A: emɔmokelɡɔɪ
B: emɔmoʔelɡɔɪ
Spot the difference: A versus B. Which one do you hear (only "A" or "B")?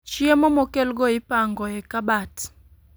A